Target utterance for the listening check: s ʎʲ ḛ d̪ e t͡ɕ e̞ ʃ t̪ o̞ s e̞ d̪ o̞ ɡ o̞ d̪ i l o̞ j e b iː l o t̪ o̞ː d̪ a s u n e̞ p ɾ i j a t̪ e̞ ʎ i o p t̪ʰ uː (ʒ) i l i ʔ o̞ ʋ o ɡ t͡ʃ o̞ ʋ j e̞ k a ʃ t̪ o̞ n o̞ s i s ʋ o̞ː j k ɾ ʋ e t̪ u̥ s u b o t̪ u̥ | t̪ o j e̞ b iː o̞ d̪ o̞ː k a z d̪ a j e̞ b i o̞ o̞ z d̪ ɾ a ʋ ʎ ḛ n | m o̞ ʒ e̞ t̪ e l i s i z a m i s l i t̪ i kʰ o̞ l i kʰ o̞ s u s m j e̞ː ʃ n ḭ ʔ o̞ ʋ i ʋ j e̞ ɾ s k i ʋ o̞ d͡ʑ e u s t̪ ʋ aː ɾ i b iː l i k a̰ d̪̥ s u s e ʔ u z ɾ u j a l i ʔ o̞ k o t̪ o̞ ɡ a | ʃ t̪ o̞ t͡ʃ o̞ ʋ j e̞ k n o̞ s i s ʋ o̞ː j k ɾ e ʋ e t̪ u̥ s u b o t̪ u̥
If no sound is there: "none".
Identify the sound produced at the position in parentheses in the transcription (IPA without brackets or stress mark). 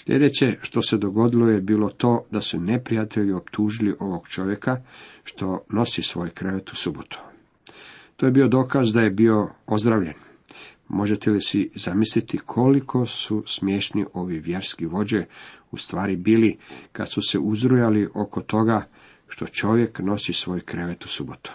ʒ